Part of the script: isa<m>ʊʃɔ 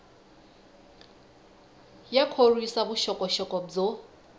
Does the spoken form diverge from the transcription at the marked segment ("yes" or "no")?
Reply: yes